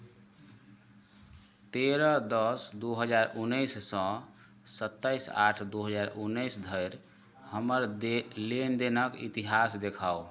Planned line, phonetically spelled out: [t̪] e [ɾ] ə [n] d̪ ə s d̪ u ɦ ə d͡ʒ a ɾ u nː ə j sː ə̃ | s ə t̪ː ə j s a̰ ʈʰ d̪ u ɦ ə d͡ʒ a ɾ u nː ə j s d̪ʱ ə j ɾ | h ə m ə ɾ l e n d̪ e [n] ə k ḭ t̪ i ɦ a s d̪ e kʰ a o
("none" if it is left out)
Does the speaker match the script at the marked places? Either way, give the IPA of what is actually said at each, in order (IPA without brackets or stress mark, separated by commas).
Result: t̪, ɾ, none, n